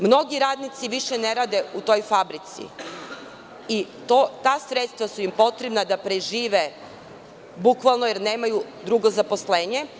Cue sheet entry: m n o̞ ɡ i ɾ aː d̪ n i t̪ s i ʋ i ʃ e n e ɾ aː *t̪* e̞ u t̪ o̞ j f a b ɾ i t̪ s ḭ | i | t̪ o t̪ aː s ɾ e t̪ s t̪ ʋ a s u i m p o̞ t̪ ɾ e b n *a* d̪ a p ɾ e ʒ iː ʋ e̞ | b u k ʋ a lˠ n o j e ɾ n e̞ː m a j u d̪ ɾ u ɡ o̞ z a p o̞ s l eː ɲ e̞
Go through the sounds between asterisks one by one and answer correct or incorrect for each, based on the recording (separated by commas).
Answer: incorrect, correct